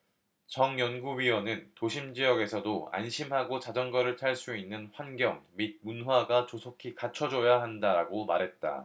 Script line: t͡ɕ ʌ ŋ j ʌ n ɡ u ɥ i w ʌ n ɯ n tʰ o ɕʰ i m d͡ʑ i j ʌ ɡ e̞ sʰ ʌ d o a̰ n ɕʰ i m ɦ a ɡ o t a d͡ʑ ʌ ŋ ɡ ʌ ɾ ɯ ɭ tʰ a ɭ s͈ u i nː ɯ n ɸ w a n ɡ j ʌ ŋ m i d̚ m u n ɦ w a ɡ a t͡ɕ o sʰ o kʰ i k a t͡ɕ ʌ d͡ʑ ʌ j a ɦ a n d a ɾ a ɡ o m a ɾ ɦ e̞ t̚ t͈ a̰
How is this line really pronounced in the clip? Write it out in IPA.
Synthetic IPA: t͡ɕ ʌ ŋ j ʌ n ɡ u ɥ i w ʌ n ɯ n t o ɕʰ i m d͡ʑ i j ʌ ɡ e̞ sʰ ʌ d o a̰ n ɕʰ i m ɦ a ɡ o t͡ɕ a d͡ʑ ʌ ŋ ɡ ʌ ɾ ɯ ɭ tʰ a ɭ s͈ u i nː ɯ n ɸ w a n ɡ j ʌ ŋ m i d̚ m u n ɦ w a ɡ a t͡ɕ o sʰ o kʰ i k a t͡ɕʰ ʌ d͡ʑ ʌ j a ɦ a n d a ɾ a ɡ o m a ɾ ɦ e̞ t̚ t͈ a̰